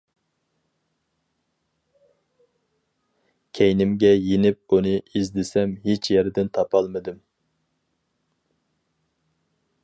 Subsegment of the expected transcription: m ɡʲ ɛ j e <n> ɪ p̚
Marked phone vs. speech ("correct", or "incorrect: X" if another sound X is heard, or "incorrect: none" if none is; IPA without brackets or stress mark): correct